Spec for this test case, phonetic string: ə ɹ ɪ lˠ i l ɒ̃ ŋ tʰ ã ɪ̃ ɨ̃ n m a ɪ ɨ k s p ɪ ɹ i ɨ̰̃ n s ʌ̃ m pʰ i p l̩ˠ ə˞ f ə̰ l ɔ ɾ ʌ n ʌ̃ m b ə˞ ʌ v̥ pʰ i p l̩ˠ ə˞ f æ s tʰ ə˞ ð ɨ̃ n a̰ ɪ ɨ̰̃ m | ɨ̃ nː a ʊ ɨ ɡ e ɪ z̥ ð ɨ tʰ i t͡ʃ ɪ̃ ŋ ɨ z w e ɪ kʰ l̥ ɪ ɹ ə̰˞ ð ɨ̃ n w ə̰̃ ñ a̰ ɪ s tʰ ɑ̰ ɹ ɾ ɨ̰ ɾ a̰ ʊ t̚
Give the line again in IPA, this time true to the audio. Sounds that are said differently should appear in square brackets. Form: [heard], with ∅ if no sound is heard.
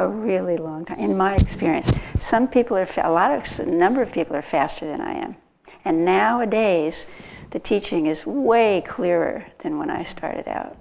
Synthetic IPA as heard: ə ɹ ɪ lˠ i l [ɔ̃] ŋ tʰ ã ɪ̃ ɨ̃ n m a ɪ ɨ k s p ɪ ɹ i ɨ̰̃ n s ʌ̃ m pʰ i p l̩ˠ ə˞ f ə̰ l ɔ ɾ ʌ n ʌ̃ m b ə˞ ʌ v̥ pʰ i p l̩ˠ ə˞ f æ s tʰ ə˞ ð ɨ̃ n a̰ ɪ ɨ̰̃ m | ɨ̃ nː a ʊ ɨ [d] e ɪ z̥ ð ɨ tʰ i t͡ʃ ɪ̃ ŋ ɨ z w e ɪ kʰ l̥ ɪ ɹ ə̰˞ ð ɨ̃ n w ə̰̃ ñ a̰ ɪ s tʰ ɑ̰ ɹ ɾ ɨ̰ ɾ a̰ ʊ t̚